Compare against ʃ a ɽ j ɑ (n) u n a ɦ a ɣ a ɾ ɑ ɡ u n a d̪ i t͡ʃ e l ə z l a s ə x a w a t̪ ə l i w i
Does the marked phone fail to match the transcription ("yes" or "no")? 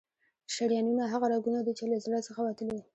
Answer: no